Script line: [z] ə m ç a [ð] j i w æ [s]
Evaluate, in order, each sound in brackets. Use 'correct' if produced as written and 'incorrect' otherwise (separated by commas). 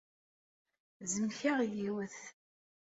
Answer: correct, incorrect, incorrect